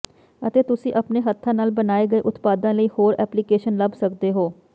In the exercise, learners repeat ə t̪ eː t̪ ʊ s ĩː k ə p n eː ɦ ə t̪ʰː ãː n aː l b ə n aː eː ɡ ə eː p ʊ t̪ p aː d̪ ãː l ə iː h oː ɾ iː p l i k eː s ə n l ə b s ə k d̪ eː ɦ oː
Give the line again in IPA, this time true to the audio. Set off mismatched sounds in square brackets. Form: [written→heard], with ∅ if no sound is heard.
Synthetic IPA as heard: ə t̪ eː t̪ ʊ s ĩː [k→ʔ] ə p n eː ɦ ə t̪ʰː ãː n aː l b ə n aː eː ɡ ə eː [p→ʔ] ʊ t̪ p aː d̪ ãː l ə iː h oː ɾ [iː→ɛː] p l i k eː [s→ʃ] ə n l ə b s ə k d̪ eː ɦ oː

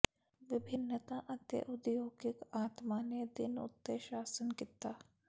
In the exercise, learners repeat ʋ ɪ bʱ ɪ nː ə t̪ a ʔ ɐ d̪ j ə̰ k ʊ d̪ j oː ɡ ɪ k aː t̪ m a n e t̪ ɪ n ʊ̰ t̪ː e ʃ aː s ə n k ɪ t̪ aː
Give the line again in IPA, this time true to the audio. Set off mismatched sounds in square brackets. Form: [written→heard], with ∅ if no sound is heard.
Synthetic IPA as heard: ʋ ɪ bʱ ɪ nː ə t̪ a ʔ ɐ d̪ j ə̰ [k→ʔ] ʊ d̪ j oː ɡ ɪ k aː t̪ m a n e [t̪→d̪] ɪ n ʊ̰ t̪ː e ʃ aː s ə n k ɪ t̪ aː

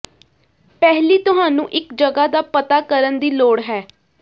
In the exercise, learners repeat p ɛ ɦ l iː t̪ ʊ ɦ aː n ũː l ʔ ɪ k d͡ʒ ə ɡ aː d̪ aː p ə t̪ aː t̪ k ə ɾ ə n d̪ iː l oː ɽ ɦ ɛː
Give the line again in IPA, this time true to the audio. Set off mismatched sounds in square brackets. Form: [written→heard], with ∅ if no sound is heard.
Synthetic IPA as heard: p ɛ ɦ l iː t̪ ʊ ɦ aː n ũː [l→∅] ʔ ɪ k d͡ʒ ə ɡ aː d̪ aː p ə t̪ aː [t̪→∅] k ə ɾ ə n d̪ iː l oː ɽ ɦ ɛː

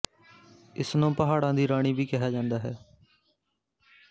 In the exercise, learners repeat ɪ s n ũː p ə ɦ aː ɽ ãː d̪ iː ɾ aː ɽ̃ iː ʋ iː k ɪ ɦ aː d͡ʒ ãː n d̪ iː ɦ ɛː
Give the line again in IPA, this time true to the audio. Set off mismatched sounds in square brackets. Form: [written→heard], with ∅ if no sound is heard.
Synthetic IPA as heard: ɪ s n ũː p ə ɦ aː ɽ ãː d̪ iː ɾ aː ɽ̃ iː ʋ iː k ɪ ɦ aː d͡ʒ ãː n d̪ [iː→aː] ɦ ɛː

